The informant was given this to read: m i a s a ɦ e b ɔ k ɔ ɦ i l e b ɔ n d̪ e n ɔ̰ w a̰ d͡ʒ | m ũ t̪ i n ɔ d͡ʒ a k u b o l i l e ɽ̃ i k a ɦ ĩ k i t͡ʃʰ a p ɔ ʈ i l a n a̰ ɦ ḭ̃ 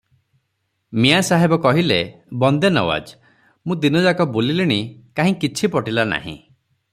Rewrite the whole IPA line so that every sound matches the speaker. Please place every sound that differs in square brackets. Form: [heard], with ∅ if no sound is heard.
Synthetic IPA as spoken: m i a s a ɦ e b ɔ k ɔ ɦ i l e b ɔ n d̪ e n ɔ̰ w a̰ d͡ʒ | m ũ [d̪] i n ɔ d͡ʒ a k [ɔ] b o l i l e ɽ̃ i k a ɦ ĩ k i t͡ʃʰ [i] p ɔ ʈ i l a n a̰ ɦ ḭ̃